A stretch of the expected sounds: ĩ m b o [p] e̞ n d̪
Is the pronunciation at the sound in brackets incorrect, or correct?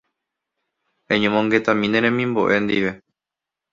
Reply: incorrect